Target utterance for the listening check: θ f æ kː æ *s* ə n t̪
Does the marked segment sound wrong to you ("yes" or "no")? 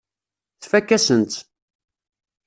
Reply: no